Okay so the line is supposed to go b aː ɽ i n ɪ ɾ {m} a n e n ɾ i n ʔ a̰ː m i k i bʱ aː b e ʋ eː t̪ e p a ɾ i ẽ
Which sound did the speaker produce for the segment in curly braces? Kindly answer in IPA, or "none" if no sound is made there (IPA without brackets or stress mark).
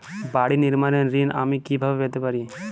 m